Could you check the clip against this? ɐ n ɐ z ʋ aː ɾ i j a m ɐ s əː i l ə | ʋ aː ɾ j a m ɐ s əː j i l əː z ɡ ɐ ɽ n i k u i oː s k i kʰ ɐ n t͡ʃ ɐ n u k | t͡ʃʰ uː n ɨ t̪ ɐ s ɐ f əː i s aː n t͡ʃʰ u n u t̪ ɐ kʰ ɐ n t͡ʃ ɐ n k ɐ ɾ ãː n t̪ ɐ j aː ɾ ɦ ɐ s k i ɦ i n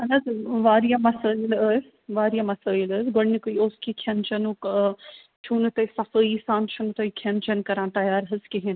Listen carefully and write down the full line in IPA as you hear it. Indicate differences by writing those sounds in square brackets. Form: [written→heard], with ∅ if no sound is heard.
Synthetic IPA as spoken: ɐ n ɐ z ʋ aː ɾ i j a m ɐ s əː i l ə | ʋ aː ɾ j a m ɐ s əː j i l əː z ɡ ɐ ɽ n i k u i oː s k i kʰ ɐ n t͡ʃ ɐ n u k | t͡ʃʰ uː n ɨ t̪ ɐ s ɐ f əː i s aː n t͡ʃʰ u n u t̪ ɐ kʰ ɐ n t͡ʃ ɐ n k ɐ ɾ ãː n t̪ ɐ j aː ɾ ɦ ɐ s k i ɦ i n